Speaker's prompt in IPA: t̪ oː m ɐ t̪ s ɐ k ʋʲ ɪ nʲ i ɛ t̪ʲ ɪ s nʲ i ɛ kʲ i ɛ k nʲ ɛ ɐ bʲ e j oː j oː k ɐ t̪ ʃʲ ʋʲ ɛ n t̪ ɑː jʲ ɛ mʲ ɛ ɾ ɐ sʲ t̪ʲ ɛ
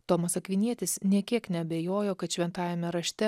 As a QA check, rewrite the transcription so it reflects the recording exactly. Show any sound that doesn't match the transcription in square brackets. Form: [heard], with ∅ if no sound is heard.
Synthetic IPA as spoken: t̪ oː m ɐ [∅] s ɐ k ʋʲ ɪ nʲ i ɛ t̪ʲ ɪ s nʲ i ɛ kʲ i ɛ k nʲ ɛ ɐ bʲ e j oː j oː k ɐ t̪ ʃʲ ʋʲ ɛ n t̪ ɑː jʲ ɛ mʲ ɛ ɾ ɐ [ʃʲ] t̪ʲ ɛ